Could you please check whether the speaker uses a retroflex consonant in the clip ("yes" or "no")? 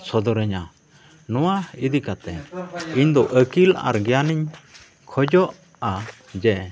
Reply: no